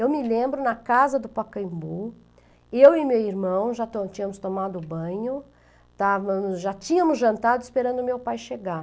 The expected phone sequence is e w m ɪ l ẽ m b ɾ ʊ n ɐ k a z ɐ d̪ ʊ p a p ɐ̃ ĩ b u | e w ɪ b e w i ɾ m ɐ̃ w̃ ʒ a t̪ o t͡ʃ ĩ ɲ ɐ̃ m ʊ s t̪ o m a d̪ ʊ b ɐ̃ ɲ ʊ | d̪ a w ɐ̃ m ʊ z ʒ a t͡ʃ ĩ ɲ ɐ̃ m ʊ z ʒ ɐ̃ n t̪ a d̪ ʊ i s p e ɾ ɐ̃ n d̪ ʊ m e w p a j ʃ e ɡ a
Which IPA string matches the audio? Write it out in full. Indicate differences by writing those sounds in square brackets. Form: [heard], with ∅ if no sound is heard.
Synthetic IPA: e w m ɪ l ẽ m b ɾ ʊ n ɐ k a z ɐ d̪ ʊ p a [k] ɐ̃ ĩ b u | e w ɪ [m] e w i ɾ m ɐ̃ w̃ ʒ a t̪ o t͡ʃ ĩ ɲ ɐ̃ m ʊ s t̪ o m a d̪ ʊ b ɐ̃ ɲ ʊ | [t̪] a [v] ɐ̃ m ʊ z ʒ a t͡ʃ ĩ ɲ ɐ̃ m ʊ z ʒ ɐ̃ n t̪ a d̪ ʊ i s p e ɾ ɐ̃ n d̪ ʊ m e w p a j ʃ e ɡ a